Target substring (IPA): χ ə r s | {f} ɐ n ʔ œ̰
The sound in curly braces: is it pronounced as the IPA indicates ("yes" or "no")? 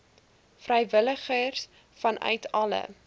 yes